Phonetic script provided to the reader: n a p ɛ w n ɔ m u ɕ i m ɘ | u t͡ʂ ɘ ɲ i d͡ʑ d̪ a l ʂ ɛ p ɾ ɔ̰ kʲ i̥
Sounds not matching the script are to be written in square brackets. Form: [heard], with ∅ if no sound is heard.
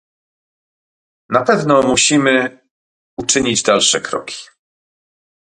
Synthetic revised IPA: n a p ɛ [v] n ɔ m u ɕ i m ɘ | u t͡ʂ ɘ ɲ i d͡ʑ d̪ a l ʂ ɛ [k] ɾ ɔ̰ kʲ i̥